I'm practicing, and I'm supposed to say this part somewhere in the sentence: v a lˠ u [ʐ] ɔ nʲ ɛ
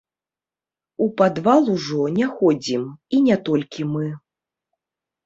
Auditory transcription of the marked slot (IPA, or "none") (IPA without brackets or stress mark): ʐ